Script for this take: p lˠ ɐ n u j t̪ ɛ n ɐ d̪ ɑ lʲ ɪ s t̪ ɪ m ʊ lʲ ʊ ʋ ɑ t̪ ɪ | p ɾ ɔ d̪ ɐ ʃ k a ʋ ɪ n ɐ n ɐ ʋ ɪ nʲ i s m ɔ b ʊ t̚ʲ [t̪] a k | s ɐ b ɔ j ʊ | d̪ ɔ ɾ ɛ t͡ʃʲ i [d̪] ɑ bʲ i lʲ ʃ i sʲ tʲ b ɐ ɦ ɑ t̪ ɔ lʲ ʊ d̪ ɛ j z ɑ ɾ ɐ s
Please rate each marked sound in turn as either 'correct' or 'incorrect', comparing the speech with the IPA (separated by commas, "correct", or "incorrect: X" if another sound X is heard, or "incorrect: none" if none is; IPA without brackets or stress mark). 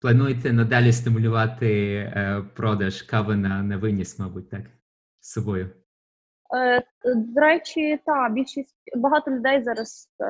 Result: correct, incorrect: t̪